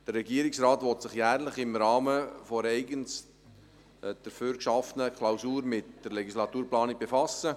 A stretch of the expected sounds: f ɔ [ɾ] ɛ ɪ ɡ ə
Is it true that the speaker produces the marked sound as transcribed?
yes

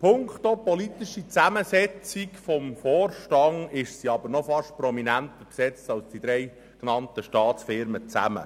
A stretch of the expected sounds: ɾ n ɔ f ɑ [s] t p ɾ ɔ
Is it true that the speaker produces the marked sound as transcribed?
no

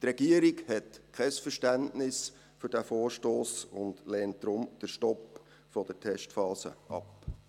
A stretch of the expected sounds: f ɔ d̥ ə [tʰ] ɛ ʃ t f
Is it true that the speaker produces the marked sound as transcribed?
yes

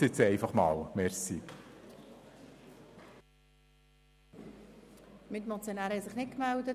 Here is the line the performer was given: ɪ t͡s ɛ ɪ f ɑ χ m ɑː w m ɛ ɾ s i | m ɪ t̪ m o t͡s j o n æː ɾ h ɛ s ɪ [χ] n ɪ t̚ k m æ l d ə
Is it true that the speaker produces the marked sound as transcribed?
yes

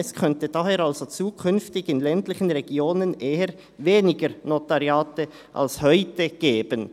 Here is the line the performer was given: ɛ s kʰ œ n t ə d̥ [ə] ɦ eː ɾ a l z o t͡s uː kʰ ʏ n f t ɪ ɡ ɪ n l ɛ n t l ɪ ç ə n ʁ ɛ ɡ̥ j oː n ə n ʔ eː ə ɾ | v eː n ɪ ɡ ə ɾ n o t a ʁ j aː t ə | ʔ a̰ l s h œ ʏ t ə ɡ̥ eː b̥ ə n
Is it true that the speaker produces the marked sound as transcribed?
no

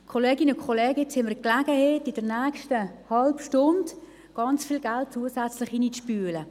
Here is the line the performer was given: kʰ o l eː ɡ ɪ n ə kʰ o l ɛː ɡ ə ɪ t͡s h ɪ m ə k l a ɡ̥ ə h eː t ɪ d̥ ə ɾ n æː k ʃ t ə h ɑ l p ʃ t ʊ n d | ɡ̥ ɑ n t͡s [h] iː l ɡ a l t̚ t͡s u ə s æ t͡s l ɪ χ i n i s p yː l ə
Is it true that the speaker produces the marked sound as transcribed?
no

